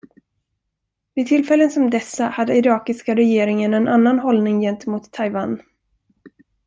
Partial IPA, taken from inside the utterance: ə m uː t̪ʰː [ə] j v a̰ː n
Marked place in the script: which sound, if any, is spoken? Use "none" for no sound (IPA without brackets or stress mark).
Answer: a